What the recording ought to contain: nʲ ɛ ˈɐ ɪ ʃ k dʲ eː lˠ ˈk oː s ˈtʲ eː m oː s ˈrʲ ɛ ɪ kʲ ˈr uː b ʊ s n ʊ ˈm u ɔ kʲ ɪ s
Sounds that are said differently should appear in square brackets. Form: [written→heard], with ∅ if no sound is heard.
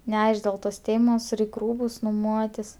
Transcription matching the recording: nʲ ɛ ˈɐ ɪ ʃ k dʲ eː lˠ [ˈk→ˈt] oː s ˈtʲ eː m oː s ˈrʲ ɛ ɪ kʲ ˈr uː b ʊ s n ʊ ˈm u ɔ [kʲ→tʲ] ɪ s